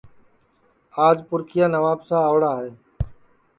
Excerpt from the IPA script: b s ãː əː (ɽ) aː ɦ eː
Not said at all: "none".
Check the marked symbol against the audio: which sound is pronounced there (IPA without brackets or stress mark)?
ɽ